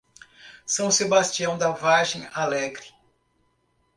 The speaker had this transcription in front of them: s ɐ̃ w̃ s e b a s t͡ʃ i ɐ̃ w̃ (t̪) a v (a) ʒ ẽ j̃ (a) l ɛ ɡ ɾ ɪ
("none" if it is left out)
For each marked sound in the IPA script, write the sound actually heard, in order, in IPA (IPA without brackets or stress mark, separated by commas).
d̪, a, a